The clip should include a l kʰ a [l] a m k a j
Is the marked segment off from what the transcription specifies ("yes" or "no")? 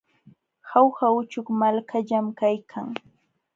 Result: yes